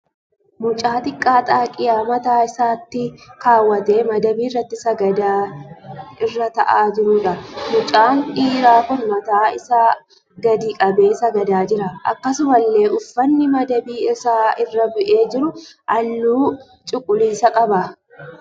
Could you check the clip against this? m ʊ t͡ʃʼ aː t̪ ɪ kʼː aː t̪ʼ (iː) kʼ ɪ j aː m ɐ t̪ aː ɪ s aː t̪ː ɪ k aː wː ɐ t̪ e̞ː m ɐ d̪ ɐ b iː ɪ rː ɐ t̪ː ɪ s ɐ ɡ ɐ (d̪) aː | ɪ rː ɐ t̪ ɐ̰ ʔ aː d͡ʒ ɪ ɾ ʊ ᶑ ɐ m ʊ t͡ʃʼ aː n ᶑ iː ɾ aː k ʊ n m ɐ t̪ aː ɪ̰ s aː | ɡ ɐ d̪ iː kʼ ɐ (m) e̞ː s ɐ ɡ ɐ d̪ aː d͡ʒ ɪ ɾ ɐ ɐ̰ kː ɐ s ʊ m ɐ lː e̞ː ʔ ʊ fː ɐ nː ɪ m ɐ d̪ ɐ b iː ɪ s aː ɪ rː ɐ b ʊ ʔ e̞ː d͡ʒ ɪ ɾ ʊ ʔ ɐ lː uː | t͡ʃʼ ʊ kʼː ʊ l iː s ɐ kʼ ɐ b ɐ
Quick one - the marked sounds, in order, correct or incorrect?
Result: incorrect, correct, incorrect

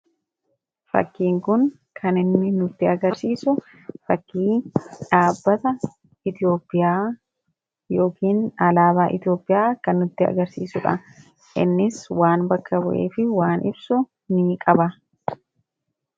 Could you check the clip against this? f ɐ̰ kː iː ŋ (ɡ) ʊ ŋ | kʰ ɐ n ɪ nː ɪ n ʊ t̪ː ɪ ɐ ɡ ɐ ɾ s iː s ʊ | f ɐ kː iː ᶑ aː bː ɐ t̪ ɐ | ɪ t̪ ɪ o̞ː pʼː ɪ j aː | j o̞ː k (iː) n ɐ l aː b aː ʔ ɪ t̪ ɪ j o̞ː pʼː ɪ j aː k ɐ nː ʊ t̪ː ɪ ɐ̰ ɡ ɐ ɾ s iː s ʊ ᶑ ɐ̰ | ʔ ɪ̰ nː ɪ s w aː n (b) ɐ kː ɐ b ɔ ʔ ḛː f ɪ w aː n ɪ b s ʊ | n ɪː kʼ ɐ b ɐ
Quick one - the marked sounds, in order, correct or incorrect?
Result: incorrect, correct, correct

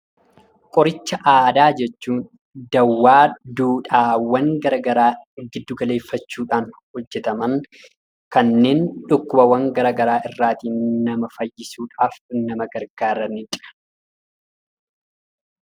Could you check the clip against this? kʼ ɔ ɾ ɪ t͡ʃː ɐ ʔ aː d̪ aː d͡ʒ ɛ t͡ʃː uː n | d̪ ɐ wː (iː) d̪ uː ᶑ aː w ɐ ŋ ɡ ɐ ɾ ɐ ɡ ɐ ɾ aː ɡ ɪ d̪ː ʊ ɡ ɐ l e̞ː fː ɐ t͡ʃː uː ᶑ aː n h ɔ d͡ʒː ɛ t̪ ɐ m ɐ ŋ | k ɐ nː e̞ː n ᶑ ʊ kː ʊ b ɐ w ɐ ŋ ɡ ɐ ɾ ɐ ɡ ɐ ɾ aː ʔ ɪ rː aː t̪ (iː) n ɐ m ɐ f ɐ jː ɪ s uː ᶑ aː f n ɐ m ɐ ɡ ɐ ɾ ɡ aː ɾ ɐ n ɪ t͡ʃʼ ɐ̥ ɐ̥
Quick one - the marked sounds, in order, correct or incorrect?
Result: incorrect, correct

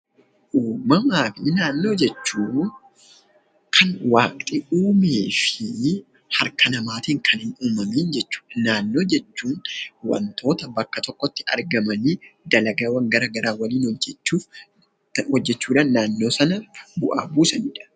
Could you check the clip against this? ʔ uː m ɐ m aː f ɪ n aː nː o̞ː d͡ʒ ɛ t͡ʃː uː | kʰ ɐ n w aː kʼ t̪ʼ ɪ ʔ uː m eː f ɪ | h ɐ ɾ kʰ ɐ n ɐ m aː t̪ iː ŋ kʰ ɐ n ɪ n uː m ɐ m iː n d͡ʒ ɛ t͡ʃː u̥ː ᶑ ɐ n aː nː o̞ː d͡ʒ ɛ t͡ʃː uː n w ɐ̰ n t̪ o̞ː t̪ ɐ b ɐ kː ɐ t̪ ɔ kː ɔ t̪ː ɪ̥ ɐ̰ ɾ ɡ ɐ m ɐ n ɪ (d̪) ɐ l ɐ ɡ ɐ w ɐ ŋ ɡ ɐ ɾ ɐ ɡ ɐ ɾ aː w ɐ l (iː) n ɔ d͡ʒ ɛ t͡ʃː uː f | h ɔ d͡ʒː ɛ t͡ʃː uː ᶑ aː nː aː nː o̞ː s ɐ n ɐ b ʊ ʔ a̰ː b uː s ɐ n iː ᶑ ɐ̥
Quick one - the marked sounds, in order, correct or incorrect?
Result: correct, correct

